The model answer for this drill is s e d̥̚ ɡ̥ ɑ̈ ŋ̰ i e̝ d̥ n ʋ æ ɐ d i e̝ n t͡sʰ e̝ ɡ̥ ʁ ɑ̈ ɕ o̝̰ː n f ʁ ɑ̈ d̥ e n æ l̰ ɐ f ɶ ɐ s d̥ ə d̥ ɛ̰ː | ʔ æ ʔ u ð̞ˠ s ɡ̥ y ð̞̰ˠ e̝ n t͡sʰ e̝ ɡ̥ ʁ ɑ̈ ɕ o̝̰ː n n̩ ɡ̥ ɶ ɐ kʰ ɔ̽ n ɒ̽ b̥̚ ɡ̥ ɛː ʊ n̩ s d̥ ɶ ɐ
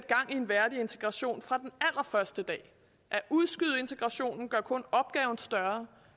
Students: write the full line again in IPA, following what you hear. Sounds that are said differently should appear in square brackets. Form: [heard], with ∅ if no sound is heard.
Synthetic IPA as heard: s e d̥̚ ɡ̥ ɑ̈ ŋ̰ i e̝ [∅] n ʋ æ ɐ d i e̝ n t͡sʰ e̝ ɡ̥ ʁ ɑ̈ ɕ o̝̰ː n f ʁ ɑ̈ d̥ e n æ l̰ ɐ f ɶ ɐ s d̥ ə d̥ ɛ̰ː | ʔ æ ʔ u ð̞ˠ s ɡ̥ y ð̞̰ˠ e̝ n t͡sʰ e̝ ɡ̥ ʁ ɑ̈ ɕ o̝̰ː n n̩ ɡ̥ ɶ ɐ kʰ ɔ̽ n ɒ̽ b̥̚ ɡ̥ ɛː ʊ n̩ s d̥ ɶ ɐ

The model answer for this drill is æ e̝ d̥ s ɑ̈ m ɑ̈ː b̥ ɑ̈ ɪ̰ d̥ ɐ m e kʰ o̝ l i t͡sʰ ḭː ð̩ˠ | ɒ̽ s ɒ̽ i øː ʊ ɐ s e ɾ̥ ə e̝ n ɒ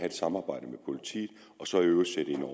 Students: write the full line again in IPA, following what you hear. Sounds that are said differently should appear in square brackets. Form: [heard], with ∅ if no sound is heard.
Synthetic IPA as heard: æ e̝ d̥ s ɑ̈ m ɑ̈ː b̥ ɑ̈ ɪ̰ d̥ [ə] m e [pʰ] o̝ l i t͡sʰ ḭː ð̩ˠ | ɒ̽ s ɒ̽ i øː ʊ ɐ s e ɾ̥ ə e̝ n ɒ

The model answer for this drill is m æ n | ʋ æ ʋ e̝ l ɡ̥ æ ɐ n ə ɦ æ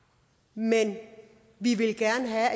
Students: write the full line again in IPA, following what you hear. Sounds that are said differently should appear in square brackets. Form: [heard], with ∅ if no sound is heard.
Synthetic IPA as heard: m [e] n | ʋ [i] ʋ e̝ l ɡ̥ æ ɐ n ə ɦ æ

